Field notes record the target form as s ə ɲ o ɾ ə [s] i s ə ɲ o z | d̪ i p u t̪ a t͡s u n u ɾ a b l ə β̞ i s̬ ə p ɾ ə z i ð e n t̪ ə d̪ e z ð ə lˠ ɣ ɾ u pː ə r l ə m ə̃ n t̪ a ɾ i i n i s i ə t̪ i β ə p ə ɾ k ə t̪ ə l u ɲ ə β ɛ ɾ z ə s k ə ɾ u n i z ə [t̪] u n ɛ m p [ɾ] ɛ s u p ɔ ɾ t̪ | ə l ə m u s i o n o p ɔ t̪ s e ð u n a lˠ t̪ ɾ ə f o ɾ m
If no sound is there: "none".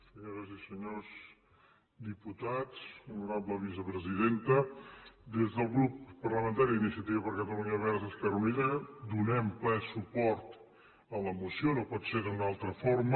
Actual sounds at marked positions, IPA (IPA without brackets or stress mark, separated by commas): z, d̪, l